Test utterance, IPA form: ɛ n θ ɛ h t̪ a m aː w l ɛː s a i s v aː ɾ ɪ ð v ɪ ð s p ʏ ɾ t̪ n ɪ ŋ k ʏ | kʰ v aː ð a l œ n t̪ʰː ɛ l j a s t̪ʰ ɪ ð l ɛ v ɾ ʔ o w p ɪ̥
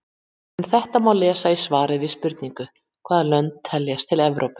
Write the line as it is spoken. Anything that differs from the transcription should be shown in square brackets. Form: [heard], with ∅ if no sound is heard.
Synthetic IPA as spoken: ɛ n θ ɛ h t̪ a m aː w l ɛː s a i s v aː ɾ ɪ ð v ɪ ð s p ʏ ɾ t̪ n [i] ŋ k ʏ | kʰ v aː ð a l œ n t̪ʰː ɛ l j a s t̪ʰ ɪ [∅] l ɛ v ɾ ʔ o w p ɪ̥